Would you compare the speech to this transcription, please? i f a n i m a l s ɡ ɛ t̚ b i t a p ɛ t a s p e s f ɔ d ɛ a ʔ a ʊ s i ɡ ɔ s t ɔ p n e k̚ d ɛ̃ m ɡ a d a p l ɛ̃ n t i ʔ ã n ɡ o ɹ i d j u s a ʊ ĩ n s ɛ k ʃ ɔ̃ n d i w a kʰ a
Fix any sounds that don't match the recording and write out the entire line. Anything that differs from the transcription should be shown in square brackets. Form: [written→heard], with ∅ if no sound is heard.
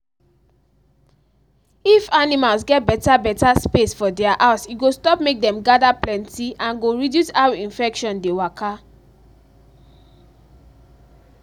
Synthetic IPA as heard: i f a n i m a l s ɡ ɛ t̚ b [i→ɛ] t a [p→b] ɛ t a s p e s f ɔ d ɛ a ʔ a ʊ s i ɡ [ɔ→o] s t ɔ p [n→m] e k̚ d ɛ̃ m ɡ a d a p l ɛ̃ n t i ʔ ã n ɡ o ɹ i d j u s a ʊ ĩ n [s→f] ɛ k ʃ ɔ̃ n d [i→e] w a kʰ a